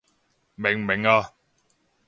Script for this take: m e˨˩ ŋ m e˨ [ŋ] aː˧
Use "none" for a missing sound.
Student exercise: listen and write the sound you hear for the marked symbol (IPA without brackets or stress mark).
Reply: ŋ